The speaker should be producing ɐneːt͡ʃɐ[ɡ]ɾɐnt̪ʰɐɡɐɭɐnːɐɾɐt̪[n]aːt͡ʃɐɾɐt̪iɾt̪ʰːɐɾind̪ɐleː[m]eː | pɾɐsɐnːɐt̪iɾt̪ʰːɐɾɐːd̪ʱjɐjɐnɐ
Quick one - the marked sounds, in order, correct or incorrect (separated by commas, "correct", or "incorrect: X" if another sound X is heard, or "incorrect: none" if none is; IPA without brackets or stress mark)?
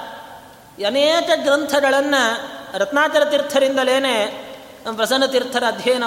correct, correct, incorrect: n